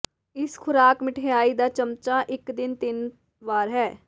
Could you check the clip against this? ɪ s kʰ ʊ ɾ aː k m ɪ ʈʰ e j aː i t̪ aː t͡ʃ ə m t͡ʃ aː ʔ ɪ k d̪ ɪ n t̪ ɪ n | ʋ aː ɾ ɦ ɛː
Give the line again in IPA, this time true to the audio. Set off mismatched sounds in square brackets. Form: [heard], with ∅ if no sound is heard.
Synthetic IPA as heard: ɪ s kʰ ʊ ɾ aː k m ɪ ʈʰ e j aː i [d̪] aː t͡ʃ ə m t͡ʃ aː ʔ ɪ k d̪ ɪ n t̪ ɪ n | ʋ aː ɾ ɦ ɛː